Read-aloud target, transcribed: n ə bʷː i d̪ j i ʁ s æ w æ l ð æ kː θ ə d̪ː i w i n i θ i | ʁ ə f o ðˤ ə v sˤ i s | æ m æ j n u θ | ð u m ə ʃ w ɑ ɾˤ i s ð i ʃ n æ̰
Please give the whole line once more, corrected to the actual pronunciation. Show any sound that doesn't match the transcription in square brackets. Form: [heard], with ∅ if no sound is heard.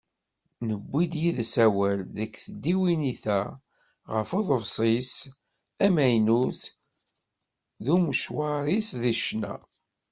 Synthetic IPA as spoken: n ə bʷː i d̪ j i [ð] s æ w æ l ð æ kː θ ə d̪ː i w i n i θ [æ] | ʁ ə f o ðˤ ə v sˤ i s | æ m æ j n u θ | ð u m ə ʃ w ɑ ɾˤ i s ð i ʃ n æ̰